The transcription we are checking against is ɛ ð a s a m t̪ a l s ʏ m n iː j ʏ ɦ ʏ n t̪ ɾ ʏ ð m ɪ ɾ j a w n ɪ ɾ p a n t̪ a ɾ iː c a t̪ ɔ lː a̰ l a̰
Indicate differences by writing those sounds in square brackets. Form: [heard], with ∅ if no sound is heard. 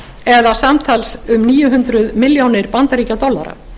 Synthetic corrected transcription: ɛ ð a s a m [t̪ʰ] a l s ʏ m n iː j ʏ ɦ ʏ n t̪ ɾ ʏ ð m ɪ [l] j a w n ɪ ɾ p a n t̪ a ɾ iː c a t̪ ɔ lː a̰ [ɾ] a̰